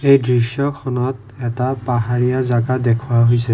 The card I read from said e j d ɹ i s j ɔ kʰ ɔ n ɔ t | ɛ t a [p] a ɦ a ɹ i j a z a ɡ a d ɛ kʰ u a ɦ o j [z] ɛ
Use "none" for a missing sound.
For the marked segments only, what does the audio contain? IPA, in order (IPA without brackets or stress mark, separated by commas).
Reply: p, s